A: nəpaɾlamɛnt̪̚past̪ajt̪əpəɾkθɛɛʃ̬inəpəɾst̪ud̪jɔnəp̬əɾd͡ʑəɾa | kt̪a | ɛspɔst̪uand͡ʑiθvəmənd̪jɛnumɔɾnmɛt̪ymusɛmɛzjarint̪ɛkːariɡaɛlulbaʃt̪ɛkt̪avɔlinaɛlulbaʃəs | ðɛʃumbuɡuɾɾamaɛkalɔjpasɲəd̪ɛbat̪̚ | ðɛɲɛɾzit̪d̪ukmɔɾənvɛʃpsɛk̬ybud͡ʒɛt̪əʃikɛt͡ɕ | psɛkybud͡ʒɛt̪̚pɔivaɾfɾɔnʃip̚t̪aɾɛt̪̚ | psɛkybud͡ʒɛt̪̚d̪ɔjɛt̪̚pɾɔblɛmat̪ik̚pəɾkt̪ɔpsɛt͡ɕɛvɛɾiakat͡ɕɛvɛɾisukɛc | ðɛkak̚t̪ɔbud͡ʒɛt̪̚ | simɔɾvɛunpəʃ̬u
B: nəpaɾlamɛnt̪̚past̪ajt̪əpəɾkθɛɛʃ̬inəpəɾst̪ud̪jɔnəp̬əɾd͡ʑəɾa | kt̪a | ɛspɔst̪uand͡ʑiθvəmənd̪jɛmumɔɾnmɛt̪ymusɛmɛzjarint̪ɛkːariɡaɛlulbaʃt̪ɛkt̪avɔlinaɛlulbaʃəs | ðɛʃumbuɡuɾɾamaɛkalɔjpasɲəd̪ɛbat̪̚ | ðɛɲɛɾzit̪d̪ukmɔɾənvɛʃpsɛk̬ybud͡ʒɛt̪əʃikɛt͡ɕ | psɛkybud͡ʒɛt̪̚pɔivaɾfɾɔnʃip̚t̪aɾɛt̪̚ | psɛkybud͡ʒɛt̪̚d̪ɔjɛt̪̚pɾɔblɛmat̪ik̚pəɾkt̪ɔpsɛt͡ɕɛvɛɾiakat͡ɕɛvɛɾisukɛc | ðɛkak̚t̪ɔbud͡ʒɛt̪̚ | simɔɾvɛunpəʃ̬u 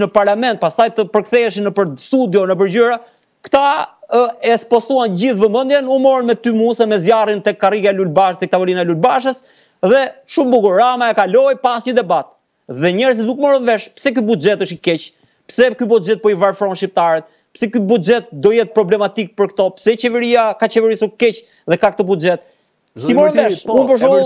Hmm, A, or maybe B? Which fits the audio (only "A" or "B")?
A